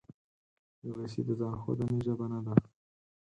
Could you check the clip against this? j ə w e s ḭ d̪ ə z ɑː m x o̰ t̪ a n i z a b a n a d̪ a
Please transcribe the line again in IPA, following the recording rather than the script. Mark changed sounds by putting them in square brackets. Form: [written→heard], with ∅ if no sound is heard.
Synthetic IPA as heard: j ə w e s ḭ d̪ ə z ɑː [m→n] x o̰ [t̪→d̪] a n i [z→ʒ] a b a n a d̪ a